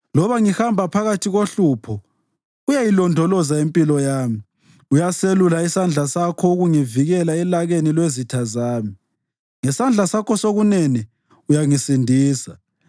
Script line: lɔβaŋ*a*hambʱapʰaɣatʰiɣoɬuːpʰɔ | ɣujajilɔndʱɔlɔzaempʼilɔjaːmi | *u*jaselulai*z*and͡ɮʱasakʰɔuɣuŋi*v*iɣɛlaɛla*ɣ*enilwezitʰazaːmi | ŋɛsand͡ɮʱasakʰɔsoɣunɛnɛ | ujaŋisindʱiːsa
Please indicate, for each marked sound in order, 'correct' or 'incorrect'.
incorrect: i, correct, incorrect: s, correct, correct

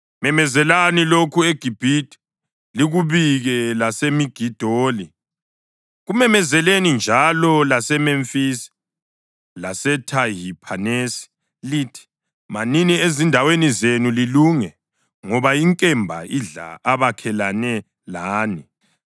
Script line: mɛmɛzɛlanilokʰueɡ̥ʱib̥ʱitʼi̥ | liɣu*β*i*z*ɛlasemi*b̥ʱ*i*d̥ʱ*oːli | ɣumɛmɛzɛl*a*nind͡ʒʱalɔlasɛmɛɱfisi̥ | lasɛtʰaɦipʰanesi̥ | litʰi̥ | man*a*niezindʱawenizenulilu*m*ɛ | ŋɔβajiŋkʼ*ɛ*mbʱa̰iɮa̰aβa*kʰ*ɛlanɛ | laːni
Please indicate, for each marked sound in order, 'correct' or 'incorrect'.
correct, incorrect: ɣ, incorrect: ɡ̥ʱ, correct, incorrect: e, incorrect: i, incorrect: ŋ, correct, correct

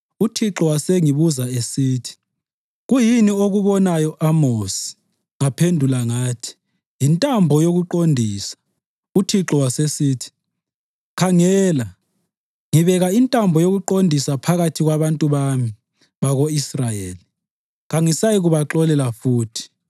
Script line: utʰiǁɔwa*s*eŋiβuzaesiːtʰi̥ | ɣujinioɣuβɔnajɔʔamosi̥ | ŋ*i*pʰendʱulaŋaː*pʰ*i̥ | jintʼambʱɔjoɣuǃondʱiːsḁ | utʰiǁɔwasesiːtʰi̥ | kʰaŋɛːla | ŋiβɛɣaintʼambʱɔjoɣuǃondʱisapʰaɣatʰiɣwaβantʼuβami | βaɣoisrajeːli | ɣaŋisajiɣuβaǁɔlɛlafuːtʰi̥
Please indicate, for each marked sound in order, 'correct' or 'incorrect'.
correct, incorrect: a, incorrect: tʰ

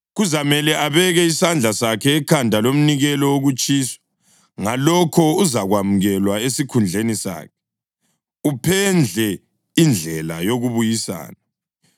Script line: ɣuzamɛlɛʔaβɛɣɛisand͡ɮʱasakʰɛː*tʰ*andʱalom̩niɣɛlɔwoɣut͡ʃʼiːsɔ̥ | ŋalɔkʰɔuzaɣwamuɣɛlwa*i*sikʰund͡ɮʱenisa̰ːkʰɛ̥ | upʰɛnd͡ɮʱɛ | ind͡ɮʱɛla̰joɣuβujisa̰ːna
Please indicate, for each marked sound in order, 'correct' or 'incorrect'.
incorrect: kʰ, incorrect: e

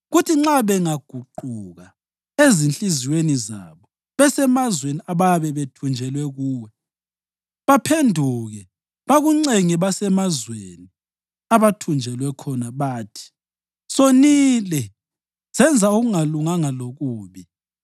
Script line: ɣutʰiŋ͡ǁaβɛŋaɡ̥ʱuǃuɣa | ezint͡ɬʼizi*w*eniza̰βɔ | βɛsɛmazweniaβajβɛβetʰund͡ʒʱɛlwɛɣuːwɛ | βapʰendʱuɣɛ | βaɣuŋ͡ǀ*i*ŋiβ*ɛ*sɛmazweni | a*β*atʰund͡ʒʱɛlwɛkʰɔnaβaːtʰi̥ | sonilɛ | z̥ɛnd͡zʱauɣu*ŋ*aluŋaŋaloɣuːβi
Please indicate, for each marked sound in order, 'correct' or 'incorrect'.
correct, incorrect: e, incorrect: a, correct, correct

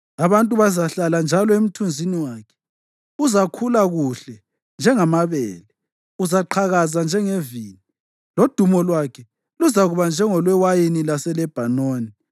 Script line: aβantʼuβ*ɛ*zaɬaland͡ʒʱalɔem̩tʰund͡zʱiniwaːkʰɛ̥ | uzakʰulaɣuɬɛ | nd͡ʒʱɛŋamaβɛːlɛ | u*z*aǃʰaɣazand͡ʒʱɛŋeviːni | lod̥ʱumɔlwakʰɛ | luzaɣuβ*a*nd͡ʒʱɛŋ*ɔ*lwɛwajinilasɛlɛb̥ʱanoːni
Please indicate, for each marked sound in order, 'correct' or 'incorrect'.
incorrect: a, correct, correct, correct

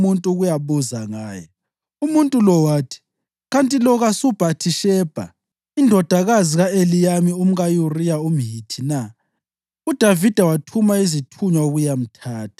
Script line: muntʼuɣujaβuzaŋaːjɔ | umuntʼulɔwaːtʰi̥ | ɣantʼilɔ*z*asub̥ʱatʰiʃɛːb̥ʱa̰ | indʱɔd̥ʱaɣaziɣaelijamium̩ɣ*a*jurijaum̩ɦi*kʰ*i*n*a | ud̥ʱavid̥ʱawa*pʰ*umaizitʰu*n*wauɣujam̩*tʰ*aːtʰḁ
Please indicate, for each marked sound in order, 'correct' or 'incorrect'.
incorrect: ɣ, correct, incorrect: tʰ, correct, incorrect: tʰ, incorrect: ɲ, correct

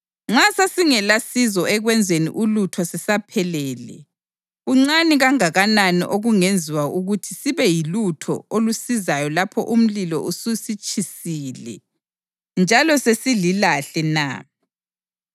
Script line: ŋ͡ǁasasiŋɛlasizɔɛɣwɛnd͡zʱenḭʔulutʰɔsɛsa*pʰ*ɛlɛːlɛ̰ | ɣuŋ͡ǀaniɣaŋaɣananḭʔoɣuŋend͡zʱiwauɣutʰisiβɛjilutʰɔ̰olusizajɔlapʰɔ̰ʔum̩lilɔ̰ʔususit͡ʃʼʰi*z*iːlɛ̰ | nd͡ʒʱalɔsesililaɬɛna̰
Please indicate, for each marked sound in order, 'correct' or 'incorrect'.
correct, incorrect: s

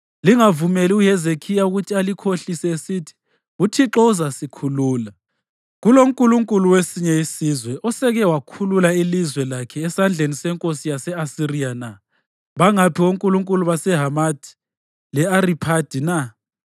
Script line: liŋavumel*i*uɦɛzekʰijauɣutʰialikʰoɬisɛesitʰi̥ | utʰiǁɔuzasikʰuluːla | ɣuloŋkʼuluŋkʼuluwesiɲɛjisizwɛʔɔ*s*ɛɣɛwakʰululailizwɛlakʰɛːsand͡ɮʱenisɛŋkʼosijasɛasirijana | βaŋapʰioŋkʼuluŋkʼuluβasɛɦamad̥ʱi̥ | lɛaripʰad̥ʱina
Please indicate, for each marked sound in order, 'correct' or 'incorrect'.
correct, correct

